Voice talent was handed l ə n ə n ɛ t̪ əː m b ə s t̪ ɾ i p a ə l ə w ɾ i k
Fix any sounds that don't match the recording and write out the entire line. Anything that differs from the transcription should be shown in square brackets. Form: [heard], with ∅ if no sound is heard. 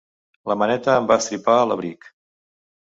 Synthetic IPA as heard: l ə [m] ə n ɛ t̪ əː m b [a] s t̪ ɾ i p a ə l ə [β] ɾ i k